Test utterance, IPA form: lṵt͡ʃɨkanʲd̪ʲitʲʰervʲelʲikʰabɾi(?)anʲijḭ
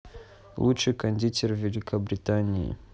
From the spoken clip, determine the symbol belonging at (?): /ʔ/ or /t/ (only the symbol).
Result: t